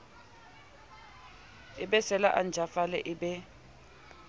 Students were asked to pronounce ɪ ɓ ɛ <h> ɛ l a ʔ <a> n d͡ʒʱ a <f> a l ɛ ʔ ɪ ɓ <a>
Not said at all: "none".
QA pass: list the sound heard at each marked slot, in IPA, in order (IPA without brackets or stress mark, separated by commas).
s, a, f, ɛ